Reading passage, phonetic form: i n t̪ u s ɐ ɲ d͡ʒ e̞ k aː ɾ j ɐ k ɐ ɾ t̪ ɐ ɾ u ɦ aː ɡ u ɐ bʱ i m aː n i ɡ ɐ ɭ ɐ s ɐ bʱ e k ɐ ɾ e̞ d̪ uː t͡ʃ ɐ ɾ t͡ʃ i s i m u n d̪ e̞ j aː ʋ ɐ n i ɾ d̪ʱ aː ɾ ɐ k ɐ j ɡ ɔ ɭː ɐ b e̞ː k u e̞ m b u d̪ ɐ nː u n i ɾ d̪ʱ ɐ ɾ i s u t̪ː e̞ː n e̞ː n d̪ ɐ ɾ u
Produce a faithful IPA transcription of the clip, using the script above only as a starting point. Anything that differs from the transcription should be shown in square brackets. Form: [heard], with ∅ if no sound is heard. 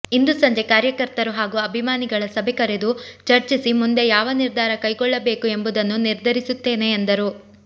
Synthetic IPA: i n [d̪] u s ɐ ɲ d͡ʒ e̞ k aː ɾ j ɐ k ɐ ɾ t̪ ɐ ɾ u ɦ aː ɡ u ɐ bʱ i m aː n i ɡ ɐ ɭ ɐ s ɐ bʱ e k ɐ ɾ e̞ d̪ [u] t͡ʃ ɐ ɾ t͡ʃ i s i m u n d̪ e̞ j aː ʋ ɐ n i ɾ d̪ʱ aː ɾ ɐ k ɐ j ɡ ɔ ɭː ɐ b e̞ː k u e̞ m b u d̪ ɐ nː u n i ɾ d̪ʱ ɐ ɾ i s u t̪ː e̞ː n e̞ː n d̪ ɐ ɾ u